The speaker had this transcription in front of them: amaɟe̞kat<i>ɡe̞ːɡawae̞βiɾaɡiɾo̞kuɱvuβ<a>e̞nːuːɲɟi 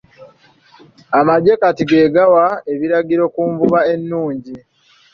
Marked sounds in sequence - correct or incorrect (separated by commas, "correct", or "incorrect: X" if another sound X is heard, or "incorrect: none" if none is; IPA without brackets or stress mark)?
correct, correct